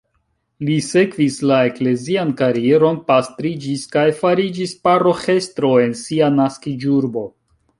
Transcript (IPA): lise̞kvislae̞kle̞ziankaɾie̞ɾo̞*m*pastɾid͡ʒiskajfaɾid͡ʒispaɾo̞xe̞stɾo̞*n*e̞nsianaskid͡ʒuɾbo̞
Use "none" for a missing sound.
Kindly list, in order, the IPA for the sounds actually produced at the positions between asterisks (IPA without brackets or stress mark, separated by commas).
n, none